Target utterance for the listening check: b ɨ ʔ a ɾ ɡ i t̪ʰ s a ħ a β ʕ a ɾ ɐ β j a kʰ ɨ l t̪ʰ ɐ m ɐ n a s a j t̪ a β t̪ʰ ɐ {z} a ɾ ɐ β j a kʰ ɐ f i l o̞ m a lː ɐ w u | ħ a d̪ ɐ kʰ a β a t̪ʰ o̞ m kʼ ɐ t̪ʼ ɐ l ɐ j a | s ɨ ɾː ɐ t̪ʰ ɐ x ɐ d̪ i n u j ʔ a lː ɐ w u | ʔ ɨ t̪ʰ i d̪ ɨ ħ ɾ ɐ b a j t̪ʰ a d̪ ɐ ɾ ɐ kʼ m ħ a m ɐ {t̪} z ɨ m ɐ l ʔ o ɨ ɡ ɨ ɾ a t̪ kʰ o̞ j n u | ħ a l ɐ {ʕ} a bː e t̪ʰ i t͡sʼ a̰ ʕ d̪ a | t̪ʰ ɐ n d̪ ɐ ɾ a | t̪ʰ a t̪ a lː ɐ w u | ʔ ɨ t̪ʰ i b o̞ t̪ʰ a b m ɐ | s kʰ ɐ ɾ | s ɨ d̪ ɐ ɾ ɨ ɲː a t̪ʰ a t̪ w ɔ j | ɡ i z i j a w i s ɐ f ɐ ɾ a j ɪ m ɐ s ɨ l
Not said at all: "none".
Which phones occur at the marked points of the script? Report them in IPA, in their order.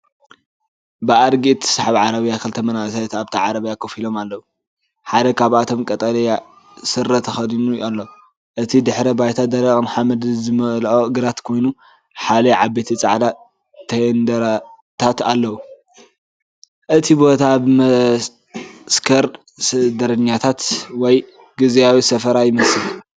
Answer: ʕ, d̪, ʕ

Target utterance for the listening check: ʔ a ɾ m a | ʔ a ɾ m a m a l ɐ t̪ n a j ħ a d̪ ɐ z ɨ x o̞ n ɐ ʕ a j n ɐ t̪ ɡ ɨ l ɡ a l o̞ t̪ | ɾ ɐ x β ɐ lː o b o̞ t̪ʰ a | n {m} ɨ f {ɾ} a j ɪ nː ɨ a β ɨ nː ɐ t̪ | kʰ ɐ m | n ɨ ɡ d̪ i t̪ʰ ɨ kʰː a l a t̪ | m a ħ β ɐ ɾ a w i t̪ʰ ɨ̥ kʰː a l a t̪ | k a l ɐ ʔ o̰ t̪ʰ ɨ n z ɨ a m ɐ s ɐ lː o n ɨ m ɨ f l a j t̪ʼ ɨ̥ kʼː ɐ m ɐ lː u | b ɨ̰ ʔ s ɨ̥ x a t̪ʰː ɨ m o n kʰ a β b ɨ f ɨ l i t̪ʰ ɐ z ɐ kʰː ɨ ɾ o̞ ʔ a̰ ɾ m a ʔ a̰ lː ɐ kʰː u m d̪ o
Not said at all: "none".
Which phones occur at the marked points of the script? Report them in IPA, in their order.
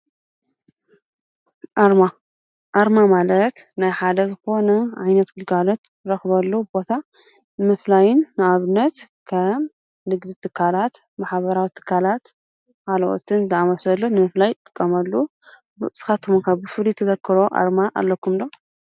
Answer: m, l

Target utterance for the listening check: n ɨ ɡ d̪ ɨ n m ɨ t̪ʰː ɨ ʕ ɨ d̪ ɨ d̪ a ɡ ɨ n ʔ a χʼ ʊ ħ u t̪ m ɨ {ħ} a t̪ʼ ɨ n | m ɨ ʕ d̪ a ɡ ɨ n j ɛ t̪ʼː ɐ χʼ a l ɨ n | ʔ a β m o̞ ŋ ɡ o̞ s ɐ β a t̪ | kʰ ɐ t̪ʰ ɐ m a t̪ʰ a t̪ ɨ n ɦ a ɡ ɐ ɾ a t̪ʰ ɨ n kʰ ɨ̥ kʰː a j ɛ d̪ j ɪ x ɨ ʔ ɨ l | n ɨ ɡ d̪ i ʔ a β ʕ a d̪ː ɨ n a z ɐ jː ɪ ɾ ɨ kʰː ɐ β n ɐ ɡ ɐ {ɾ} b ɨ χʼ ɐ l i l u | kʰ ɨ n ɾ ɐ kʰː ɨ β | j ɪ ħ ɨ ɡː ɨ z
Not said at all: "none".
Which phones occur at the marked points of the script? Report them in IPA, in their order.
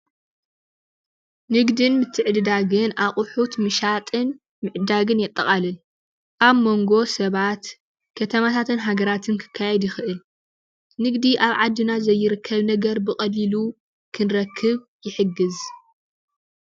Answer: ʃ, ɾ

